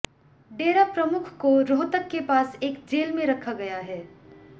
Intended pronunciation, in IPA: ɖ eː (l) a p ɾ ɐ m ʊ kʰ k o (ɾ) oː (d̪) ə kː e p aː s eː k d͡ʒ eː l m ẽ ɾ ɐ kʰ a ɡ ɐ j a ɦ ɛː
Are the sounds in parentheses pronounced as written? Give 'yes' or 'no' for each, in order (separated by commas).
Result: no, yes, no